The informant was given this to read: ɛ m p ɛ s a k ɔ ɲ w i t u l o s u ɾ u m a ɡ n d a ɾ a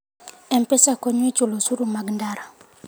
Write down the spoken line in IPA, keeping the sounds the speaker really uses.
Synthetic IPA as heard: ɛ m p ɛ s a k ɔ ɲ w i t͡ʃ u l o s u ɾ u m a ɡ n d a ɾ a